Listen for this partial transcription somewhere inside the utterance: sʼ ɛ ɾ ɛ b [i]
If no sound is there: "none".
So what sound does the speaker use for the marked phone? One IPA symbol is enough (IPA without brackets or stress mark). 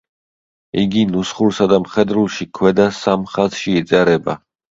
a